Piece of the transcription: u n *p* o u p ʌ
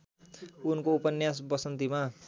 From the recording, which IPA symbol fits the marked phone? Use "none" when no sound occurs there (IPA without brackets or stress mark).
k